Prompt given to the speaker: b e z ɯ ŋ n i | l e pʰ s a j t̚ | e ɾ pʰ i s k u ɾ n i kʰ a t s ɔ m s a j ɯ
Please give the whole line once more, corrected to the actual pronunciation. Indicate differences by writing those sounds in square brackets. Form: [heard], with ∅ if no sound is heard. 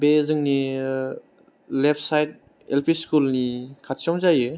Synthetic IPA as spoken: b e z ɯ ŋ n i | l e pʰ s a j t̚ | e [l] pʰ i s k u [l] n i kʰ a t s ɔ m [z] a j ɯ